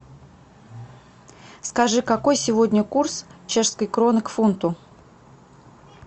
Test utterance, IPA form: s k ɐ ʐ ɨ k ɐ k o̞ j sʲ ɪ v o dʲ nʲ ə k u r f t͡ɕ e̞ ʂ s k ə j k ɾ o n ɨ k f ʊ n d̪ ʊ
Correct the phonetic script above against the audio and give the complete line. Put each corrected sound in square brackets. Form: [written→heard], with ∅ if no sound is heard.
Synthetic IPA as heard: s k ɐ ʐ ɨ k ɐ k o̞ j sʲ ɪ v o dʲ nʲ ə k u r [f→s] t͡ɕ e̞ ʂ s k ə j k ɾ o n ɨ k f [ʊ→u] n [d̪→t̪] ʊ

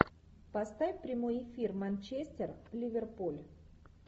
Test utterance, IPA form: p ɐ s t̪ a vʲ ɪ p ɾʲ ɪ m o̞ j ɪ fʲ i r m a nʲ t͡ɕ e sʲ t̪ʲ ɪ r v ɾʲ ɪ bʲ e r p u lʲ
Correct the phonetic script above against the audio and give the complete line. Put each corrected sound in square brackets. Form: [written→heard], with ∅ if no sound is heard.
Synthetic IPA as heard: p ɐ s t̪ a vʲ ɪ p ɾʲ ɪ m o̞ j ɪ fʲ i r m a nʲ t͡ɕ e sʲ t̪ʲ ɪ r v [ɾʲ→lʲ] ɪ [bʲ→vʲ] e r p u lʲ

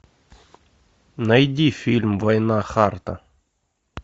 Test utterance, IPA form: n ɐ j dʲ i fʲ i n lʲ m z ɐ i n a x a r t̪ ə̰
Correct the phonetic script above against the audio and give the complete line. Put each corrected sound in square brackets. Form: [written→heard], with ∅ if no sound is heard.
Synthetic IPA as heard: n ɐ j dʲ i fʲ i [n→∅] lʲ m [z→v] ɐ [i→j] n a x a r t̪ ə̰

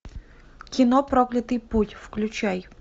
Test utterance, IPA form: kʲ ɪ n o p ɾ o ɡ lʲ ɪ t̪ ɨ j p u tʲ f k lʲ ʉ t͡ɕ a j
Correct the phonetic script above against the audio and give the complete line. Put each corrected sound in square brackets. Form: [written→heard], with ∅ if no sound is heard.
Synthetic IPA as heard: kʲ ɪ n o p ɾ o [ɡ→k] lʲ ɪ t̪ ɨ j p u tʲ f k lʲ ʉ t͡ɕ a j

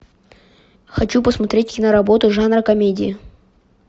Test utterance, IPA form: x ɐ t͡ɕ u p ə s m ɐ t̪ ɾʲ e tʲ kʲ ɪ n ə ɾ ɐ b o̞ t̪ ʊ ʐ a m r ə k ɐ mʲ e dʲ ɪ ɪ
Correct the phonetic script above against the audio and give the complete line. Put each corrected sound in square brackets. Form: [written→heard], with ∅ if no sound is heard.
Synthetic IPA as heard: x ɐ t͡ɕ u p ə s m ɐ t̪ ɾʲ e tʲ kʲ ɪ n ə ɾ ɐ b o̞ t̪ ʊ ʐ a [m→n] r ə k ɐ mʲ e dʲ ɪ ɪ

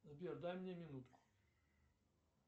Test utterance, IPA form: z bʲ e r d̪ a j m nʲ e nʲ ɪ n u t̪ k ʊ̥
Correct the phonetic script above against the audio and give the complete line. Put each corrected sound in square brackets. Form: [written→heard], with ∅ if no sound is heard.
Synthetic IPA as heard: z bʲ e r d̪ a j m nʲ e [nʲ→mʲ] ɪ n u t̪ k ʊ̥

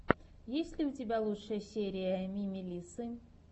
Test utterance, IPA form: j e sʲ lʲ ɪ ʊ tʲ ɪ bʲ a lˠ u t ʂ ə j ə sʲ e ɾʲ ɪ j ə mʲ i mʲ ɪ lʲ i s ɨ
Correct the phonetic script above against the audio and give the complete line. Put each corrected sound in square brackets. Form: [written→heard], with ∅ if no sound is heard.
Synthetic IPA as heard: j e sʲ lʲ ɪ ʊ tʲ ɪ bʲ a lˠ u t ʂ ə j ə sʲ e ɾʲ ɪ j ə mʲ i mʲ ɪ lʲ i s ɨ

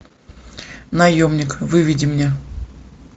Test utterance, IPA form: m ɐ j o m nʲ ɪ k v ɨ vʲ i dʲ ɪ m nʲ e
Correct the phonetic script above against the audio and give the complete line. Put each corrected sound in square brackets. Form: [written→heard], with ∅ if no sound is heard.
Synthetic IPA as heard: [m→n] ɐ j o m nʲ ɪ k v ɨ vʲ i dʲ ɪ m nʲ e

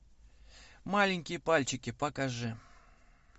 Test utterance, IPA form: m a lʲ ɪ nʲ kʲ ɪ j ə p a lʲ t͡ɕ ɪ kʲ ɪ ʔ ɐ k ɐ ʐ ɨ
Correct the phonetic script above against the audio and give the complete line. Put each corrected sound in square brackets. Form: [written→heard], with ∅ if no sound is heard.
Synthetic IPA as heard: m a lʲ ɪ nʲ kʲ ɪ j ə p a lʲ t͡ɕ ɪ kʲ ɪ [ʔ→p] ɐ k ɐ ʐ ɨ

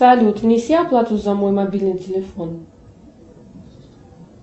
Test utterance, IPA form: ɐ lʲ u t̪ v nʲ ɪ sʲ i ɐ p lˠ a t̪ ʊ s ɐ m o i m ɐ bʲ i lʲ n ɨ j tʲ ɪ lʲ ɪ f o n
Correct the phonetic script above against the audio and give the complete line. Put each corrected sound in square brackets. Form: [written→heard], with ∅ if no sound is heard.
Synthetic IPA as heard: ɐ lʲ u t̪ v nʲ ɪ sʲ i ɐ p lˠ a t̪ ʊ [s→z] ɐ m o [i→j] m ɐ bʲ i lʲ n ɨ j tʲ ɪ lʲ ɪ f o n

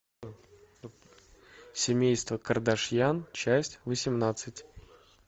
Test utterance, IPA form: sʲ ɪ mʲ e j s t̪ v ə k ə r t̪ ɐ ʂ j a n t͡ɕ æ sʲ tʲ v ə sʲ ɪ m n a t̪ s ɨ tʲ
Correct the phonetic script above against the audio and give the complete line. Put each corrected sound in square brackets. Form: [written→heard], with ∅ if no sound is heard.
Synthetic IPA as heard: sʲ ɪ mʲ e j s t̪ v ə k ə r [t̪→d̪] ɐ ʂ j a n t͡ɕ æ sʲ tʲ v ə sʲ ɪ m n a t̪ s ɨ tʲ

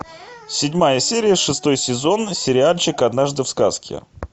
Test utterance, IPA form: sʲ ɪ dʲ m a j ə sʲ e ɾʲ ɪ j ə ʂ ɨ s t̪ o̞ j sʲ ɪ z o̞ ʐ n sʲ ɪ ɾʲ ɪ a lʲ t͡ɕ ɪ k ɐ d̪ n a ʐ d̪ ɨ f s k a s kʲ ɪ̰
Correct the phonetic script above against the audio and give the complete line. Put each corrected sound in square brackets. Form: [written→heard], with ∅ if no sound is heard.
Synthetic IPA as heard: sʲ ɪ dʲ m a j ə sʲ e ɾʲ ɪ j ə ʂ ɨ s t̪ o̞ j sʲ ɪ z o̞ [ʐ→∅] n sʲ ɪ ɾʲ ɪ a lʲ t͡ɕ ɪ k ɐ d̪ n a ʐ d̪ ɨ f s k a s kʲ ɪ̰

